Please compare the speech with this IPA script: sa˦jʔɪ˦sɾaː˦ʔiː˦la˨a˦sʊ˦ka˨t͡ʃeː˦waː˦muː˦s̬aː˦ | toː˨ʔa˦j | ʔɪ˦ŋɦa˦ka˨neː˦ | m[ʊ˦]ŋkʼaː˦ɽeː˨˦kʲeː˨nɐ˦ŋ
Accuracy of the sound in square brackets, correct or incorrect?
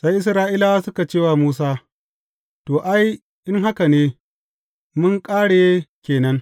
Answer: correct